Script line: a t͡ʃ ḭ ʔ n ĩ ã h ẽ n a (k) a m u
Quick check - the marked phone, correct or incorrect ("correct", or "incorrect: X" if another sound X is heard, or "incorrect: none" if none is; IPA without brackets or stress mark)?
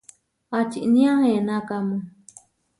correct